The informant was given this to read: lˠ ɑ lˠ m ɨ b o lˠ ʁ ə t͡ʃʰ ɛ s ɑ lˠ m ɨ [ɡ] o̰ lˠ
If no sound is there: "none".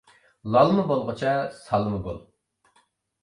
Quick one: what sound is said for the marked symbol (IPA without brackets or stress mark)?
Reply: ɡ